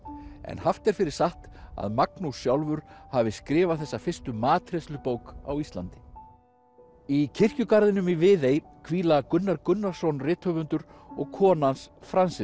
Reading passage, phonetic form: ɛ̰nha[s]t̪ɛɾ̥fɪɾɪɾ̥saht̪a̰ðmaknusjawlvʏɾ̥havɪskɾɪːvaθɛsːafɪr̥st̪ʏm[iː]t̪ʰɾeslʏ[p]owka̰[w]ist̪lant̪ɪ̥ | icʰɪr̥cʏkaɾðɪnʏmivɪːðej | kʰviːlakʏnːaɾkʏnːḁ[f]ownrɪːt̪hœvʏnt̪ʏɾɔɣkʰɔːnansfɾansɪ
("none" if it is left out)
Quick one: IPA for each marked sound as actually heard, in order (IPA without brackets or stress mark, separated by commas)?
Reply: f, aː, p, w, s